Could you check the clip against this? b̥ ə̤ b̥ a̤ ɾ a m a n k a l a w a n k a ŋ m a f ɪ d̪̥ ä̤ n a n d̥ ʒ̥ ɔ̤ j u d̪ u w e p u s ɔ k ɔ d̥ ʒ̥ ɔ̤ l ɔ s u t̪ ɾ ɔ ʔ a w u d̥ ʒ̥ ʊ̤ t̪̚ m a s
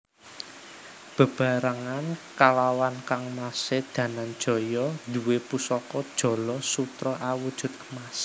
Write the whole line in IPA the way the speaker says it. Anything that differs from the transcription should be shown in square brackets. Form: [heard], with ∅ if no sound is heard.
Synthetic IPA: b̥ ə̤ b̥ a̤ ɾ a [ŋ] a n k a l a w a n k a ŋ m a [s] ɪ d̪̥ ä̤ n a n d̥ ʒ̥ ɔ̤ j [ɔ] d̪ u w e p u s ɔ k ɔ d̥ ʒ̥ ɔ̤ l ɔ s u t̪ ɾ ɔ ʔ a w u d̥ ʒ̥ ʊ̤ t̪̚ m a s